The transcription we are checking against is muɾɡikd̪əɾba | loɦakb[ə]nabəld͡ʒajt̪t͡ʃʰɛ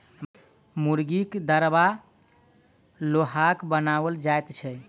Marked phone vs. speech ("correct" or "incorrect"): correct